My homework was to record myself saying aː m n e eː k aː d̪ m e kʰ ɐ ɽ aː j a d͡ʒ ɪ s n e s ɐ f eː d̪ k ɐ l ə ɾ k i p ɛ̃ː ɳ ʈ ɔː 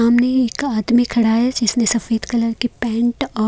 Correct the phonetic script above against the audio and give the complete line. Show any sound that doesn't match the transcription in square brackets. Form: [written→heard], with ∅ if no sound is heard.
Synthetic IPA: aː m n e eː k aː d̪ m [e→i] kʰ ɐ ɽ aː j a d͡ʒ ɪ s n e s ɐ f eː d̪ k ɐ l ə ɾ k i p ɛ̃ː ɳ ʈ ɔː